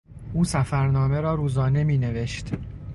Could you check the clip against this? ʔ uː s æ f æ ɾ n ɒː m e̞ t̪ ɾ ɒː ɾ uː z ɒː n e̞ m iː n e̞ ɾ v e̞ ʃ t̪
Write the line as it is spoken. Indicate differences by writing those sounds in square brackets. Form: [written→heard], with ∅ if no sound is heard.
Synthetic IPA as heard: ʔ uː s æ f æ ɾ n ɒː m e̞ [t̪→∅] ɾ ɒː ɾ uː z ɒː n e̞ m iː n e̞ [ɾ→∅] v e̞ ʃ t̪